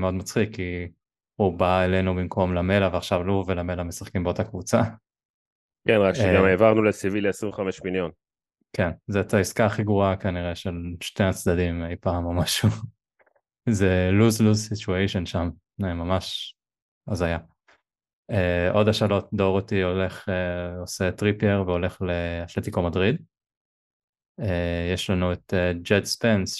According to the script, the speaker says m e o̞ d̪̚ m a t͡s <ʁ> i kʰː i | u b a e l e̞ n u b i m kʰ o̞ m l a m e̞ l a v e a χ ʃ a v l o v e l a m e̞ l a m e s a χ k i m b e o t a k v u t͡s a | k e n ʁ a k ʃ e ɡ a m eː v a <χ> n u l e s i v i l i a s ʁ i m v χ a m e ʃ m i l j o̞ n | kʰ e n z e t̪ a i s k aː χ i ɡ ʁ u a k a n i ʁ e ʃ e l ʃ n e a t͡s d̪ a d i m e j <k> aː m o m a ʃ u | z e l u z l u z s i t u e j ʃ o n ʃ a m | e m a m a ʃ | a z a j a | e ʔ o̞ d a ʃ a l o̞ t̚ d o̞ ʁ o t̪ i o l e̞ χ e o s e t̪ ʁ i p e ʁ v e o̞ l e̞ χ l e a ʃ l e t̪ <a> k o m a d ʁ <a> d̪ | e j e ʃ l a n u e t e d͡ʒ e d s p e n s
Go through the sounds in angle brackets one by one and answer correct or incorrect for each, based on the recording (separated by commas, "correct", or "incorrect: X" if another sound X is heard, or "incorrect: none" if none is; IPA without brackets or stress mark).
incorrect: χ, incorrect: ʁ, incorrect: p, incorrect: i, incorrect: i